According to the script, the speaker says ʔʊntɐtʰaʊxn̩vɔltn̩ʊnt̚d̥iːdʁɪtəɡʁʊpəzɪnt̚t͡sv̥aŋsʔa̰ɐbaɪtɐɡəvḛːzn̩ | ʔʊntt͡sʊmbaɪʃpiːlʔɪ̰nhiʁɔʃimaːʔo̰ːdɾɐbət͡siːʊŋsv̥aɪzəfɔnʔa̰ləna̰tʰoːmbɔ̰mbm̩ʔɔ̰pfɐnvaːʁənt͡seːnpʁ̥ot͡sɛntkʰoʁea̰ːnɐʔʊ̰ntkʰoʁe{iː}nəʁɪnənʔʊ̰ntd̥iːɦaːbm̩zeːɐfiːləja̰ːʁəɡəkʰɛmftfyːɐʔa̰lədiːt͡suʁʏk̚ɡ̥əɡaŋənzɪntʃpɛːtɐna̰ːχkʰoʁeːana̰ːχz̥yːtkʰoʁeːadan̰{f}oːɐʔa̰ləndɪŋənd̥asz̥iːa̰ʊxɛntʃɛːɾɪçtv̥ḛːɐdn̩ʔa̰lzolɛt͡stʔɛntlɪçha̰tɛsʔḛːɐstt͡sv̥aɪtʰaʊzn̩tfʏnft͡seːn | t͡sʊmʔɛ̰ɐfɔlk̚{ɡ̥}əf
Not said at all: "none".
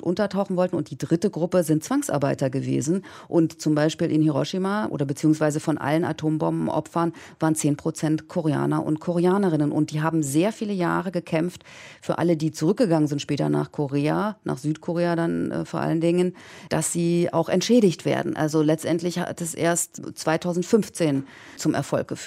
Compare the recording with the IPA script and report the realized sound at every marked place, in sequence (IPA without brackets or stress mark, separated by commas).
aː, f, ɡ̥